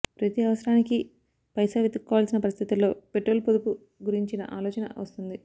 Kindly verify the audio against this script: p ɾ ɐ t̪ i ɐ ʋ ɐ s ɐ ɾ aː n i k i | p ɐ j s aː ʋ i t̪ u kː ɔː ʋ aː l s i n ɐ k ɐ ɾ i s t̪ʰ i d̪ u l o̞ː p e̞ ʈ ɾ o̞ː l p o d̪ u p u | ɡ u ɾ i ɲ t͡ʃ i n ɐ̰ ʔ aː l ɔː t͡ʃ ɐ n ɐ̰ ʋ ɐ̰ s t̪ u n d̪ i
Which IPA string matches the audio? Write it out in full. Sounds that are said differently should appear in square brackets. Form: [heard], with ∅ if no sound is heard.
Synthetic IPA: p ɾ ɐ t̪ i ɐ ʋ ɐ s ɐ ɾ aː n i k i | p ɐ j s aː ʋ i t̪ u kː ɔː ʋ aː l s i n ɐ [p] ɐ ɾ i s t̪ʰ i [t̪] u l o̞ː p e̞ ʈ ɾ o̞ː l p o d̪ u p u | ɡ u ɾ i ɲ t͡ʃ i n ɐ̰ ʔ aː l ɔː t͡ʃ ɐ n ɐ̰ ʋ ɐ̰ s t̪ u n d̪ i

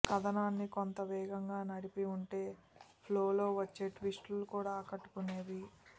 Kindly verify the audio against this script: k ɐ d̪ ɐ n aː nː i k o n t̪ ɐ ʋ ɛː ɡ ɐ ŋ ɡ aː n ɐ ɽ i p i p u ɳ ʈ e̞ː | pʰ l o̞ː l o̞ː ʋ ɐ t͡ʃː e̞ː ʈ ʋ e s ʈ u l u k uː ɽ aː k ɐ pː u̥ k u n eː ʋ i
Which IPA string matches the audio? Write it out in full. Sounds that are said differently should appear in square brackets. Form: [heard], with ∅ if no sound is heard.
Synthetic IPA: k ɐ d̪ ɐ n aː nː i k o n t̪ ɐ ʋ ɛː ɡ ɐ ŋ ɡ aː n ɐ ɽ i p i [∅] u ɳ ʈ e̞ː | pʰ l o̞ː l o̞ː ʋ ɐ t͡ʃː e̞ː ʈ ʋ [i] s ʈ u l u k uː ɽ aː k ɐ [ʈː] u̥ k u n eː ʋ i

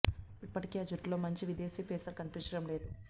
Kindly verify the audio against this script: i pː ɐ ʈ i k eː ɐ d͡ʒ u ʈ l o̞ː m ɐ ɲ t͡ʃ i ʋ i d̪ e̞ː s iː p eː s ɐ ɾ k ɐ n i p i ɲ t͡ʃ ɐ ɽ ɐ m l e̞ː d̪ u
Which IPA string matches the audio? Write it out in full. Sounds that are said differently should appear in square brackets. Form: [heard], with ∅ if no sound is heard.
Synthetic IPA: i pː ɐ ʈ i k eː ɐ d͡ʒ u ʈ l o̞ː m ɐ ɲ t͡ʃ i ʋ i d̪ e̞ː s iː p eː s ɐ ɾ k ɐ n i p i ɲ t͡ʃ ɐ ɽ ɐ m l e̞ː d̪ u

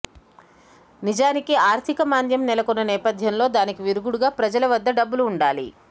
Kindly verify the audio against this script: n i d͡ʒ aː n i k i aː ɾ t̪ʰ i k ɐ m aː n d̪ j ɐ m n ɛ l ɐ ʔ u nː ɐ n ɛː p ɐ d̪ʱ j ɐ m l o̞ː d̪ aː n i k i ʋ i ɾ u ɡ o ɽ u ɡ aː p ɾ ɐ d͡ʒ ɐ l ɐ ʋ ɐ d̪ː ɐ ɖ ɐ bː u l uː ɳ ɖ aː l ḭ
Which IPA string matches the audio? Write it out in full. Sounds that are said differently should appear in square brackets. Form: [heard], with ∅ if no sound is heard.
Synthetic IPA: n i d͡ʒ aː n i k i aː ɾ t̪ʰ i k ɐ m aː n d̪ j ɐ m n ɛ l ɐ [k] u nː ɐ n ɛː p ɐ d̪ʱ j ɐ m l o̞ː d̪ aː n i k i ʋ i ɾ u ɡ [u] ɽ u ɡ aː p ɾ ɐ d͡ʒ ɐ l ɐ ʋ ɐ d̪ː ɐ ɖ ɐ bː u l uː ɳ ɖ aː l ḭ

